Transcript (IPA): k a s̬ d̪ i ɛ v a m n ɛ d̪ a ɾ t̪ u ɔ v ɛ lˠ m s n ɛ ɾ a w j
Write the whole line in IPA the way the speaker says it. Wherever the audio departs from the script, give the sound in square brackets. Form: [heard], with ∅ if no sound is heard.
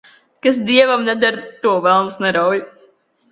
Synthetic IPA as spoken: k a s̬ d̪ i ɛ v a m n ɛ d̪ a ɾ t̪ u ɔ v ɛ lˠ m s n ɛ ɾ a w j

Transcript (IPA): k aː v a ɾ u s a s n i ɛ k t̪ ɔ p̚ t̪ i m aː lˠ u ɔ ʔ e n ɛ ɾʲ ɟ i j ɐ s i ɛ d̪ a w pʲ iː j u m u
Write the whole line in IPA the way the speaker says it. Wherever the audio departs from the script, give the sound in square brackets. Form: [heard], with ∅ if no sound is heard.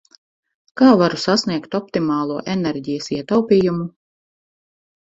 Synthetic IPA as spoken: k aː v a ɾ u s a s n i ɛ k t̪ ɔ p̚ t̪ i m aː lˠ u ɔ ʔ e n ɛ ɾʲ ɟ i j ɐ s i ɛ [t̪] a w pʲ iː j u m u

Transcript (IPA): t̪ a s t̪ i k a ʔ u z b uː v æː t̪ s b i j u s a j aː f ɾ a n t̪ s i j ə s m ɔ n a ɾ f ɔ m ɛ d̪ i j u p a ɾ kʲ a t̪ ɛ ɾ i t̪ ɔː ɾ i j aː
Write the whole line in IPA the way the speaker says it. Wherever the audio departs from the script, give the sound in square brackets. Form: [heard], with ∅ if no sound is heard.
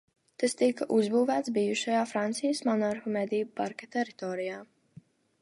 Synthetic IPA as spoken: t̪ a s t̪ i k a ʔ u z b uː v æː t̪ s b i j u [ʃ] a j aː f ɾ a n t̪ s i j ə s m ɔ n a ɾ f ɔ m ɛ d̪ i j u p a ɾ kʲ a t̪ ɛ ɾ i t̪ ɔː ɾ i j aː

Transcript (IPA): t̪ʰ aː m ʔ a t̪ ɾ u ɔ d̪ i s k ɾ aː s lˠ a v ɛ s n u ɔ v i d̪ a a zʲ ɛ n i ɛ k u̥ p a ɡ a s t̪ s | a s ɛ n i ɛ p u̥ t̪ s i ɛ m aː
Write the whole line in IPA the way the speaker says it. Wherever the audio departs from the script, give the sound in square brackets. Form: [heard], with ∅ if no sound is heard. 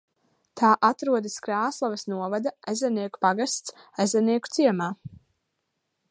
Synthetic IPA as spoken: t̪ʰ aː [∅] ʔ a t̪ ɾ u ɔ d̪ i s k ɾ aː s lˠ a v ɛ s n u ɔ v [a] d̪ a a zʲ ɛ n i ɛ k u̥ p a ɡ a s t̪ s | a [z] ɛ n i ɛ [k] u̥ t̪ s i ɛ m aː

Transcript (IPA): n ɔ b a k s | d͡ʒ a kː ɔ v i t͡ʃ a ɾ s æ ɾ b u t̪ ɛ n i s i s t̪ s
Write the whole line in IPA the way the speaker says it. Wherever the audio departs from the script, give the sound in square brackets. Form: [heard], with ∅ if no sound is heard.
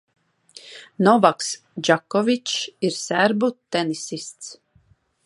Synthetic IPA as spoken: n ɔ [v] a k s | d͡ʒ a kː ɔ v i t͡ʃ [i] ɾ s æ ɾ b u t̪ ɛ n i s i s t̪ s

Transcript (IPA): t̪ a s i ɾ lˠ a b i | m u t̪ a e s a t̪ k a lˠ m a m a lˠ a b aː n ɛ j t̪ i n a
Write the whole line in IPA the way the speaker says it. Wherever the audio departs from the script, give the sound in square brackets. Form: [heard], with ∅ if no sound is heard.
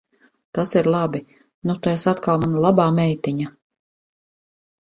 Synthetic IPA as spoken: t̪ a s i ɾ lˠ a b i | [n] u t̪ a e s a t̪ k a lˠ m a [n] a lˠ a b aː [m] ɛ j t̪ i [ɲ] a

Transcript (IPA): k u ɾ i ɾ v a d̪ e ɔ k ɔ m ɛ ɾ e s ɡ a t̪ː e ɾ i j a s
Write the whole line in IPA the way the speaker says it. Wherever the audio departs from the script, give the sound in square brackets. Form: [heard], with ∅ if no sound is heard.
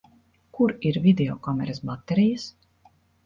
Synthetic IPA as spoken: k u ɾ i ɾ v [i] d̪ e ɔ k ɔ m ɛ ɾ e s [b] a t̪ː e ɾ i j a s

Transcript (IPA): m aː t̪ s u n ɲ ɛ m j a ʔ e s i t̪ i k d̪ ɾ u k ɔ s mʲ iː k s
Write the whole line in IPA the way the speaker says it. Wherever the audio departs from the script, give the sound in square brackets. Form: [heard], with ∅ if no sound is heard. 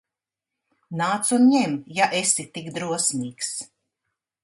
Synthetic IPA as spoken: [n] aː t̪ s u n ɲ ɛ m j a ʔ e s i t̪ i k d̪ ɾ u [∅] ɔ s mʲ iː k s

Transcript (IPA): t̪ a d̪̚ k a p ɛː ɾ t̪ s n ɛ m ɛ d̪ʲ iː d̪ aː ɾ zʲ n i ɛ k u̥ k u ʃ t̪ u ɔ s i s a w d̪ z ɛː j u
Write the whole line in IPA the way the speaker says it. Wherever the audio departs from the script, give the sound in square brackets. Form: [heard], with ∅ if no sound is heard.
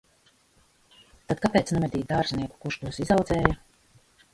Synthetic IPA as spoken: t̪ a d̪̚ k a p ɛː [∅] t̪ s n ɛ m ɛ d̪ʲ iː d̪ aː ɾ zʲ n i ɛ k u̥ k u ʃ t̪ u ɔ s i [z] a w d̪ z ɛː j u

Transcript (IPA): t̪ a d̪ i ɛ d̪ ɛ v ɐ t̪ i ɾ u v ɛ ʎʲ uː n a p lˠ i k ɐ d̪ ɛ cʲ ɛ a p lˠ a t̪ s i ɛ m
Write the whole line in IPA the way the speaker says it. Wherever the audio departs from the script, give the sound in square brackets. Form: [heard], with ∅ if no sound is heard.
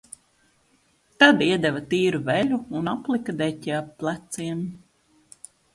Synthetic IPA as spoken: t̪ a d̪ i ɛ d̪ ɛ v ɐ t̪ [iː] ɾ u v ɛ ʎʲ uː n a p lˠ i k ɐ d̪ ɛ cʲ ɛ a p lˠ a t̪ s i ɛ m

